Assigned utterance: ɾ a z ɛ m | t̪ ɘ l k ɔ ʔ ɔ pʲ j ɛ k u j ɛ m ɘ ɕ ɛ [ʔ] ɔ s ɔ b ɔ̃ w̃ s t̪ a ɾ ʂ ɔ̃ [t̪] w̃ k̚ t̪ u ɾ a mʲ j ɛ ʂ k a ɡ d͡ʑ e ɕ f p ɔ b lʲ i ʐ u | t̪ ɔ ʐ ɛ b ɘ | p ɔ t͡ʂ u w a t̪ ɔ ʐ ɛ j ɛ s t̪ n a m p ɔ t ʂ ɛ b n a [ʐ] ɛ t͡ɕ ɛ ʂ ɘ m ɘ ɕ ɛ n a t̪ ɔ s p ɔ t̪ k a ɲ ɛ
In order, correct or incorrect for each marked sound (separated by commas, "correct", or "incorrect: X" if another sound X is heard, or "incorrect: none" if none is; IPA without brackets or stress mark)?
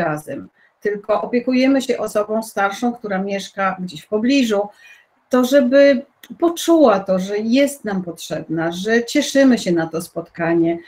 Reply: correct, incorrect: none, correct